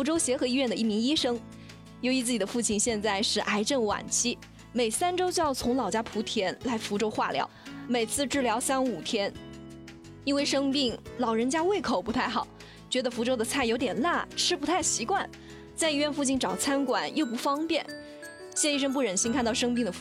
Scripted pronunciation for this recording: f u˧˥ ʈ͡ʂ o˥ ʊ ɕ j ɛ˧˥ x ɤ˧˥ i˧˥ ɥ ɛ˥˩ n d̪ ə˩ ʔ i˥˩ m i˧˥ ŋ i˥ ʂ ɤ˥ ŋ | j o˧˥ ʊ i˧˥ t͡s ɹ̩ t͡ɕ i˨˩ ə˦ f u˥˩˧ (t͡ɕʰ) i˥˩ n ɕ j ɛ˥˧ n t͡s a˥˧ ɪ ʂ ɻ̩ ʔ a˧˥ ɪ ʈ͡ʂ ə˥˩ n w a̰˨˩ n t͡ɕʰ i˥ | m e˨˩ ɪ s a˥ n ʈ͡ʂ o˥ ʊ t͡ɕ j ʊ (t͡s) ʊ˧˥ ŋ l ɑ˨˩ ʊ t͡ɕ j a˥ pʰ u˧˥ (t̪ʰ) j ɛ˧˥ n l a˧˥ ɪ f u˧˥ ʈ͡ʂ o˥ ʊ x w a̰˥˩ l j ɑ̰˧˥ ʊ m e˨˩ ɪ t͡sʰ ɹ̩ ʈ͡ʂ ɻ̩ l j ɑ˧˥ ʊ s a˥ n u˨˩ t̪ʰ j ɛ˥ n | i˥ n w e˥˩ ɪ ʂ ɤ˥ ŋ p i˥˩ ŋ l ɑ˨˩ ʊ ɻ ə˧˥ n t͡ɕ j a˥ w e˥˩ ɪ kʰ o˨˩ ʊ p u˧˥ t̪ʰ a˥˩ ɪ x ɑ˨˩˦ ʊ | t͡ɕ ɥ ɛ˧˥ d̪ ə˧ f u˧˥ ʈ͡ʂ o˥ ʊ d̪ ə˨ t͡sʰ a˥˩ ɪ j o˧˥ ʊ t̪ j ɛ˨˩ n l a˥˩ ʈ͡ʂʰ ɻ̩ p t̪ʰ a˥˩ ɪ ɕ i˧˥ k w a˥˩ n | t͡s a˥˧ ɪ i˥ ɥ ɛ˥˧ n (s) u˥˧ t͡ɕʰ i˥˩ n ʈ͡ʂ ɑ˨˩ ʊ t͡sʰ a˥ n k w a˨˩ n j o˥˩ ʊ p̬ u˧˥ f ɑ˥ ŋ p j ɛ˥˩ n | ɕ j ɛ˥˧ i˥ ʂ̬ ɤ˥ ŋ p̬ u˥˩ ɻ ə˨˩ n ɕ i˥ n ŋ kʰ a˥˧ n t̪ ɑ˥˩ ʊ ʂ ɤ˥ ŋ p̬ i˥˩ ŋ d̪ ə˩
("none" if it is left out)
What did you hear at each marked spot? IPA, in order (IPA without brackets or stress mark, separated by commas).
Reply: t͡ɕʰ, t͡sʰ, t̪ʰ, f